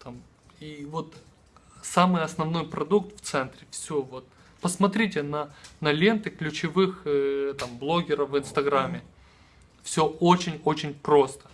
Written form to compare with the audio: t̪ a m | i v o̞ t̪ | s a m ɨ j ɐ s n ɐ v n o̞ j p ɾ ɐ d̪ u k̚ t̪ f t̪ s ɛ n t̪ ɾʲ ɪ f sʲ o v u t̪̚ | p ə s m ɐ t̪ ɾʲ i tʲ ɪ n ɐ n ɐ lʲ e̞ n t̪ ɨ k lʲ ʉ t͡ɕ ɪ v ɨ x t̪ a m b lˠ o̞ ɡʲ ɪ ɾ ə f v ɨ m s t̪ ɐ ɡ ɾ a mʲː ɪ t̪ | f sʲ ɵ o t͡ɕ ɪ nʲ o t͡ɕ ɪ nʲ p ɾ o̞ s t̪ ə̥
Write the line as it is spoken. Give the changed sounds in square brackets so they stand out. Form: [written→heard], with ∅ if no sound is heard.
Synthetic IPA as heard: t̪ a m | i v o̞ t̪ | s a m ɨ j ɐ s n ɐ v n o̞ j p ɾ ɐ d̪ u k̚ t̪ f t̪ s ɛ n t̪ ɾʲ ɪ f sʲ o v [u→o] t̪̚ | p ə s m ɐ t̪ ɾʲ i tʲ ɪ n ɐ n ɐ lʲ e̞ n t̪ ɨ k lʲ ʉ t͡ɕ ɪ v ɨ x t̪ a m b lˠ o̞ ɡʲ ɪ ɾ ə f v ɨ [m→n] s t̪ ɐ ɡ ɾ a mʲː ɪ [t̪→∅] | f sʲ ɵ o t͡ɕ ɪ nʲ o t͡ɕ ɪ nʲ p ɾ o̞ s t̪ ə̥